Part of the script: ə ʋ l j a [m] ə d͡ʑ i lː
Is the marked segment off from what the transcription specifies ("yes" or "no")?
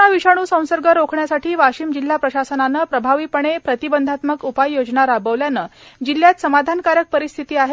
yes